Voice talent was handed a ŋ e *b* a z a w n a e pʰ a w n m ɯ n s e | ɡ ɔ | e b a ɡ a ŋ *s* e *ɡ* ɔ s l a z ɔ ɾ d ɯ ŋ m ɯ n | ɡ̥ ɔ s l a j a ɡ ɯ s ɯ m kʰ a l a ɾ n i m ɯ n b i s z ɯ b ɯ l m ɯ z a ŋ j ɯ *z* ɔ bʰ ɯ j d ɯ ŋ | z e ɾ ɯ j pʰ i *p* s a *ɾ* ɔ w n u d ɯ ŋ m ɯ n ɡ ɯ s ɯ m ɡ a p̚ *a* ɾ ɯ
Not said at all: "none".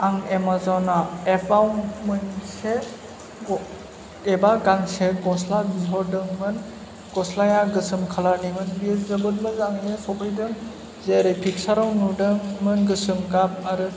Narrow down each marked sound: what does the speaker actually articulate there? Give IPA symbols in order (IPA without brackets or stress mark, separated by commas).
m, s, ɡ, s, k, ɾ, a